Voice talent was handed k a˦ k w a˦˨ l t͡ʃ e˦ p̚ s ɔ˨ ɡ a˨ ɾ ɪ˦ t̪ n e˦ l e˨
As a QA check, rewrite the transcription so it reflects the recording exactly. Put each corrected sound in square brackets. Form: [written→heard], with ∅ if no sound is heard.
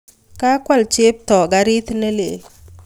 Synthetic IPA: k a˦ k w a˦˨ l t͡ʃ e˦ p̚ [s→t] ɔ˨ ɡ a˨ ɾ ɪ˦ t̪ n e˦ l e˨